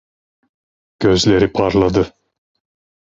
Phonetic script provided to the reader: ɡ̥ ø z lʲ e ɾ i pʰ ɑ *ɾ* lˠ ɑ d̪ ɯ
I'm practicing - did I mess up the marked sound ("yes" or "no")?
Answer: no